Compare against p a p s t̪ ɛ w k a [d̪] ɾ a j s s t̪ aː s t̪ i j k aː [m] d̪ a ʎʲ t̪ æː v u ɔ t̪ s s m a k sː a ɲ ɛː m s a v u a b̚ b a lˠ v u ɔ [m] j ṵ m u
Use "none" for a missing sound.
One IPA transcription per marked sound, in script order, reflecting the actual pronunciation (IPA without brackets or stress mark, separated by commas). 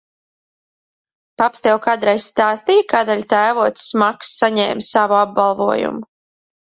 d̪, none, none